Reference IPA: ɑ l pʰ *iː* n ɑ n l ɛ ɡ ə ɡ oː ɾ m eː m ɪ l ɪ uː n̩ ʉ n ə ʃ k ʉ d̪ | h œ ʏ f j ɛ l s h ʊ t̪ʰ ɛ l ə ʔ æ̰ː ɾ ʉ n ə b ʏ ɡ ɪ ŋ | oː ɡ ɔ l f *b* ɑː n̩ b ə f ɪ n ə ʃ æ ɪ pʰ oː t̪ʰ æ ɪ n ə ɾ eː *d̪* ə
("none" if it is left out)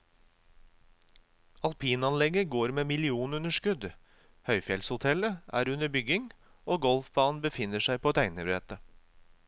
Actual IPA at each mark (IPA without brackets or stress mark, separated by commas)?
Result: iː, b, t̪